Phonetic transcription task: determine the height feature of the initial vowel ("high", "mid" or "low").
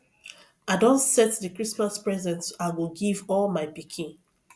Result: low